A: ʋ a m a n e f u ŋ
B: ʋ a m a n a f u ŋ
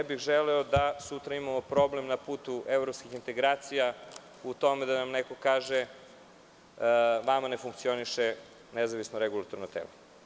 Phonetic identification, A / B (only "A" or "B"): A